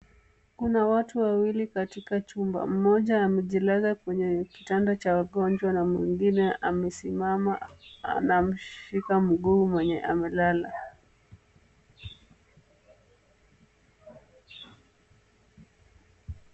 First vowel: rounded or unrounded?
rounded